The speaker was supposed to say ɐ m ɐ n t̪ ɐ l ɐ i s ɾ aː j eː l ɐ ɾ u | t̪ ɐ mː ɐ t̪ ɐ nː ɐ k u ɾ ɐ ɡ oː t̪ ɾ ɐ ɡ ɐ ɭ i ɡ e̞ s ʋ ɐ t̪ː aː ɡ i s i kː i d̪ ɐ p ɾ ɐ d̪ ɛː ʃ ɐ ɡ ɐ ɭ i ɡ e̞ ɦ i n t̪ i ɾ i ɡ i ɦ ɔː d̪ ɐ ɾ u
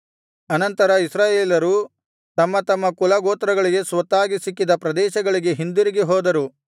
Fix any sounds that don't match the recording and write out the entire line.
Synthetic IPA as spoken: ɐ n ɐ n t̪ ɐ ɾ ɐ i s ɾ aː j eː l ɐ ɾ u | t̪ ɐ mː ɐ t̪ ɐ mː ɐ k u l ɐ ɡ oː t̪ ɾ ɐ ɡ ɐ ɭ i ɡ e̞ s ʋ ɐ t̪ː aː ɡ i s i kː i d̪ ɐ p ɾ ɐ d̪ ɛː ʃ ɐ ɡ ɐ ɭ i ɡ e̞ ɦ i n d̪ i ɾ i ɡ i ɦ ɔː d̪ ɐ ɾ u